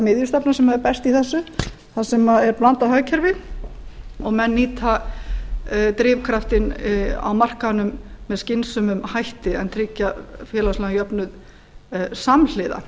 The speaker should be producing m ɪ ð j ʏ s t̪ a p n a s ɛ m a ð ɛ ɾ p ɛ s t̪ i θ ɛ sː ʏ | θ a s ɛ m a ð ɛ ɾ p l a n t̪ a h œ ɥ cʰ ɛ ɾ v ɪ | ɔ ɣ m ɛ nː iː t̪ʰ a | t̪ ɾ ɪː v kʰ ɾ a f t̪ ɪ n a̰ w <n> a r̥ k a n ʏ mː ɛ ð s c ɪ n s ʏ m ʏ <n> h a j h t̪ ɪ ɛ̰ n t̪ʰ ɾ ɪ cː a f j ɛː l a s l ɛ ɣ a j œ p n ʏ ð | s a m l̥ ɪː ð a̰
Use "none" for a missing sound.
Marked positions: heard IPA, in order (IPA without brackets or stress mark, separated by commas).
m, m